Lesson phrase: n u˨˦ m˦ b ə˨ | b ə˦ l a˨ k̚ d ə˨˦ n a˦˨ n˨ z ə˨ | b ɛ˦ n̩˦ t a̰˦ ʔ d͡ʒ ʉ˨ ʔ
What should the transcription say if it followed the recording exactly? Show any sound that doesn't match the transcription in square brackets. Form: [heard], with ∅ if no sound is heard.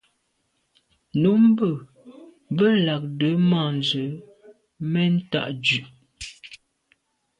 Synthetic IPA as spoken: n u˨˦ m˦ b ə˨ | b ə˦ l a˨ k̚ d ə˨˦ [m] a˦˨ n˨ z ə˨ | [m] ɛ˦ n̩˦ t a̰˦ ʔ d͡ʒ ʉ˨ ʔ